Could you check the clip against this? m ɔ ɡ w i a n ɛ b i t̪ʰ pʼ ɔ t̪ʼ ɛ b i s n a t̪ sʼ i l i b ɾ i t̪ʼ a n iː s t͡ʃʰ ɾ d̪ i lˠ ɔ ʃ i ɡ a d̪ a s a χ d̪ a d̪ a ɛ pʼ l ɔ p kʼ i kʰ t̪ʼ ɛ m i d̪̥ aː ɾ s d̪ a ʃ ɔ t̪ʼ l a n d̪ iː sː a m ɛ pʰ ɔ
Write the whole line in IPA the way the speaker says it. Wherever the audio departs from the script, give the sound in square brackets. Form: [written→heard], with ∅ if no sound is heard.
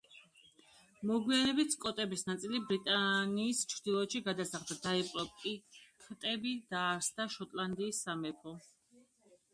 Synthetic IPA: m ɔ ɡ w i a n ɛ b i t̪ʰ [pʼ→kʼ] ɔ t̪ʼ ɛ b i s n a t̪ sʼ i l i b ɾ i t̪ʼ a n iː s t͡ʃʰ ɾ d̪ i lˠ ɔ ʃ i ɡ a d̪ a s a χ d̪ a d̪ a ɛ pʼ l ɔ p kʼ i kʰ t̪ʼ ɛ [m→b] i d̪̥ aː ɾ s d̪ a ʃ ɔ t̪ʼ l a n d̪ iː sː a m ɛ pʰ ɔ